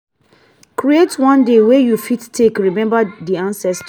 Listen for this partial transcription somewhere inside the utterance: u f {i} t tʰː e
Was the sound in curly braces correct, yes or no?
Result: yes